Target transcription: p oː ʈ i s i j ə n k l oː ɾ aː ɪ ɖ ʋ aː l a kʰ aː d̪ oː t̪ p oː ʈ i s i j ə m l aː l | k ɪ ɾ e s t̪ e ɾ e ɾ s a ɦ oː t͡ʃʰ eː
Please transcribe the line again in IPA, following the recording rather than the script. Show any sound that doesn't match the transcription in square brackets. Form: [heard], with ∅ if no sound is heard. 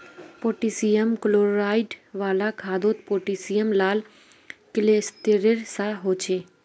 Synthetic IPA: p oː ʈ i s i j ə [m] k l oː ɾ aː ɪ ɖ ʋ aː l a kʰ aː d̪ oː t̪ p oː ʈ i s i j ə m l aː l | k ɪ [l] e s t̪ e ɾ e ɾ s a ɦ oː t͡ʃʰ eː